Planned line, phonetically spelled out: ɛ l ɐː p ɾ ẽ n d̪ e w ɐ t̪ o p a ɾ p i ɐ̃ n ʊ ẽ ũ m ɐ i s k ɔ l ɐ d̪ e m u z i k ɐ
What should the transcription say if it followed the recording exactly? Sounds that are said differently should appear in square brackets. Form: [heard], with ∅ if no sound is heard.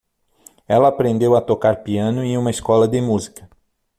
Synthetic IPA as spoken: ɛ l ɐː p ɾ ẽ n d̪ e w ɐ t̪ o [k] a ɾ p i ɐ̃ n ʊ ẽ ũ m ɐ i s k ɔ l ɐ d̪ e m u z i k ɐ